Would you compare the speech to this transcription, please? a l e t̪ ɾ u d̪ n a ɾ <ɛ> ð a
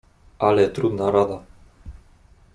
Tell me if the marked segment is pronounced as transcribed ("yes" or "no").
no